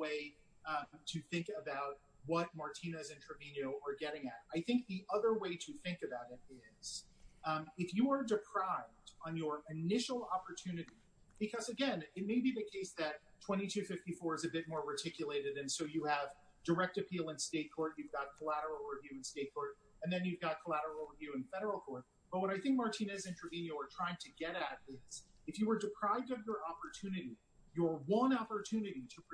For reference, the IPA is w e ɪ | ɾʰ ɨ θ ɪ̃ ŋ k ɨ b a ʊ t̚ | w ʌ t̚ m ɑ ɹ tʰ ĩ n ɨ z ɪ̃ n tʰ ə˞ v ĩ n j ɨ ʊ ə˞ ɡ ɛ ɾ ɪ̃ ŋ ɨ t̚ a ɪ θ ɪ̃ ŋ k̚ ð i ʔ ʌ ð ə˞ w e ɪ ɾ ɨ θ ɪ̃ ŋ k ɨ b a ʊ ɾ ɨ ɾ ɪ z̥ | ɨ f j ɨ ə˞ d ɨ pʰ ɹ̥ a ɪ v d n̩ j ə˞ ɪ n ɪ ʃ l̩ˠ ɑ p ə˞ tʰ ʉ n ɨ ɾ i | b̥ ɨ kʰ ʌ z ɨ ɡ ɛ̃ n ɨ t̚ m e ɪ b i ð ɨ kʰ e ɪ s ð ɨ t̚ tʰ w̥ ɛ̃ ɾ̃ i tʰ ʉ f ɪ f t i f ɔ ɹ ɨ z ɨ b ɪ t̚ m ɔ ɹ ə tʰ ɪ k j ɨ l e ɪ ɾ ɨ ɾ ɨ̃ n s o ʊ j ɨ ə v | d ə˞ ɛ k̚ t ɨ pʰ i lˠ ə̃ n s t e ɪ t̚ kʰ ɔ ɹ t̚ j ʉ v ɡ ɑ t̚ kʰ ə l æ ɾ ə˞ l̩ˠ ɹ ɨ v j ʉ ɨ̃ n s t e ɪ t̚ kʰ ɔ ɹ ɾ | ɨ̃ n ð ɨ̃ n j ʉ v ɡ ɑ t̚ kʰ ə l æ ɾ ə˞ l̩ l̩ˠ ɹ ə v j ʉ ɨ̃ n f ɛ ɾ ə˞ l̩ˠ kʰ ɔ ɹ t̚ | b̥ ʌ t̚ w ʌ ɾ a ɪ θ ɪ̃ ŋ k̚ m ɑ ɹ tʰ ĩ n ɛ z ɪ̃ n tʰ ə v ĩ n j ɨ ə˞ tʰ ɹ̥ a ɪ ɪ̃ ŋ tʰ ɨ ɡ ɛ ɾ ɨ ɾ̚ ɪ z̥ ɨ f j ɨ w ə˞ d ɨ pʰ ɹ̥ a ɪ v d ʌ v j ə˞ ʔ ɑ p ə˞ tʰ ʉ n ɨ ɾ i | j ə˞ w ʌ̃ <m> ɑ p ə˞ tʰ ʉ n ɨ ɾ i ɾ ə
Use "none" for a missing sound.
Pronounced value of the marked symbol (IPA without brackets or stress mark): n